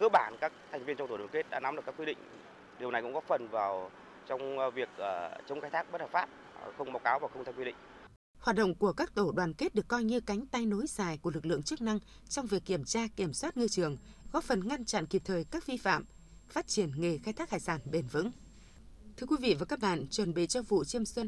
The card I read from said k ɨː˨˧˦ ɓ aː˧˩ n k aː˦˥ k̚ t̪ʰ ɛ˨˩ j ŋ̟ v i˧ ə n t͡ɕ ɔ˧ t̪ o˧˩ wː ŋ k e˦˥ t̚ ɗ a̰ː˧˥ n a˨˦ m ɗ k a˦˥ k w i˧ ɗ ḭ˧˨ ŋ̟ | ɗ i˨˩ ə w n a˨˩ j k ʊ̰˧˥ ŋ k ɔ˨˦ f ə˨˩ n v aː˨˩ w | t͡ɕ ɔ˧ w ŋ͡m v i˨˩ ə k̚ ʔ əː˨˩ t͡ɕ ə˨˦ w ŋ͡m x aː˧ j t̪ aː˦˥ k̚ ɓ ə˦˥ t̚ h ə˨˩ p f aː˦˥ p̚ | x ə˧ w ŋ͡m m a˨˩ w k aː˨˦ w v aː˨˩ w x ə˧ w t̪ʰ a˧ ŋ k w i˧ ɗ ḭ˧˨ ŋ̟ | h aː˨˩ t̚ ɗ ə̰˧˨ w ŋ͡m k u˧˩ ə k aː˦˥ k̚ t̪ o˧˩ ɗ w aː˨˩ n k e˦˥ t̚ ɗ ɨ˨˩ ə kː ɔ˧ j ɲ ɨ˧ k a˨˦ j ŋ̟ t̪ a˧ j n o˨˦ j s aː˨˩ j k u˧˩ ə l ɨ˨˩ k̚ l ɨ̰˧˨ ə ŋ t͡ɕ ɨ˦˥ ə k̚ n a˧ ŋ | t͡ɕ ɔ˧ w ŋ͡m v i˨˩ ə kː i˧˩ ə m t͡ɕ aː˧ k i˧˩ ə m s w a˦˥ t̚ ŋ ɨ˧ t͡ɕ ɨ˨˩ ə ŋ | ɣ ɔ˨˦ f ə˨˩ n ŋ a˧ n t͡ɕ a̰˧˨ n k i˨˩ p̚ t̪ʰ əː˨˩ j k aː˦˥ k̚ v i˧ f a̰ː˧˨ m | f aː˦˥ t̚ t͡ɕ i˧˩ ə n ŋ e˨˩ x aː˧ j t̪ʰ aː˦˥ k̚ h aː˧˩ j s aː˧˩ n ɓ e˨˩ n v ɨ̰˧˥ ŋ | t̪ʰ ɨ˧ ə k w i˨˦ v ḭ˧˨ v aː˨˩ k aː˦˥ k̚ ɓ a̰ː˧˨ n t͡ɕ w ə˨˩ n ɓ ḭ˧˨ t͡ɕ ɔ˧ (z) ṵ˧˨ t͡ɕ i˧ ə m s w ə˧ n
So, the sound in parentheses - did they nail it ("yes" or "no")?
no